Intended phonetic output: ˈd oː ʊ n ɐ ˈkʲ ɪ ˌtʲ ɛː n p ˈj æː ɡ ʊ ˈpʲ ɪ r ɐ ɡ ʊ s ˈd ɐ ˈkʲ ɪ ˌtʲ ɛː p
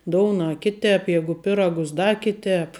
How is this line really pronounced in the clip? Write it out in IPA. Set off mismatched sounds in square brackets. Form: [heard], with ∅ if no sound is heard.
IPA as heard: ˈd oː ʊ n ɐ ˈkʲ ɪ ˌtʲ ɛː [∅] p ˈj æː ɡ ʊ ˈpʲ ɪ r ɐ ɡ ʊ s ˈd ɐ ˈkʲ ɪ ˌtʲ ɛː p